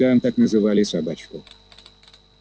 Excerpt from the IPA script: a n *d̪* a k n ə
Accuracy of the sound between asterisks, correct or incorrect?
incorrect